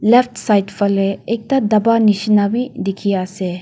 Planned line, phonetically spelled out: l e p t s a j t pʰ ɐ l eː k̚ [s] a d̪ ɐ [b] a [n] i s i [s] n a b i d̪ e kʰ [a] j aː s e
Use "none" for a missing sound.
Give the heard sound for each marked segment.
t, b, n, none, i

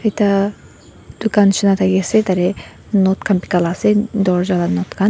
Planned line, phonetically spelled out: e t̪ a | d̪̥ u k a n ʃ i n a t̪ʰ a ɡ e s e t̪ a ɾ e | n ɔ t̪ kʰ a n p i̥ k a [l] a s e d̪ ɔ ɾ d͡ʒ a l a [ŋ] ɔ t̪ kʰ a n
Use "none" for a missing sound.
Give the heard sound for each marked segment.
l, n

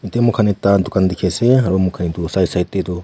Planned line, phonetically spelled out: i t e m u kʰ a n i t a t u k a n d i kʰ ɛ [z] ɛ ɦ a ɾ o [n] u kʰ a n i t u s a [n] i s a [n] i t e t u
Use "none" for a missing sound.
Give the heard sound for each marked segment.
s, m, none, none

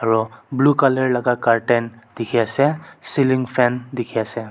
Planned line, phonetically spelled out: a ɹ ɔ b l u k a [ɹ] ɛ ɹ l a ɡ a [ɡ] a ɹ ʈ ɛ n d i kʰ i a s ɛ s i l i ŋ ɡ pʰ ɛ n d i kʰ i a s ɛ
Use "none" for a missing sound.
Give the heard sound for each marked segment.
l, k

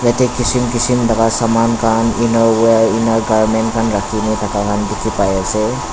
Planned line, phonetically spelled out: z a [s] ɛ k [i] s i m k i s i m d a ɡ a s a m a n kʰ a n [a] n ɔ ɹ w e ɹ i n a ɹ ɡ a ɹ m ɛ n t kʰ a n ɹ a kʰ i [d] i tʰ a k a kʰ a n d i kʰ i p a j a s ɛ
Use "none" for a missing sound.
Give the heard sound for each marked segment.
t, i, i, n

